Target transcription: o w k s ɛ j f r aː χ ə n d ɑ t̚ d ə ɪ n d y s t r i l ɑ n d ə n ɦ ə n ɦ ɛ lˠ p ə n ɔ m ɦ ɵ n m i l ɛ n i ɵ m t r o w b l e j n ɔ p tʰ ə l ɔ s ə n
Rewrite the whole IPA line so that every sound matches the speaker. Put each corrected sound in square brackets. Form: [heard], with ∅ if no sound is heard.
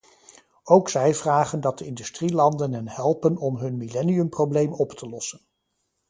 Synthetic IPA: o w k s ɛ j [v] r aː χ ə n d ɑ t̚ d ə ɪ n d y s t r i l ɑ n d ə n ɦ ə n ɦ ɛ lˠ p ə n ɔ m ɦ ɵ n m i l ɛ n i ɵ m [p] r o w b l e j [m] ɔ p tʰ ə l ɔ s ə n